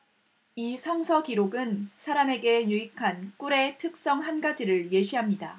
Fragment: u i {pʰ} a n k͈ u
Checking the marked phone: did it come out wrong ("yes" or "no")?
yes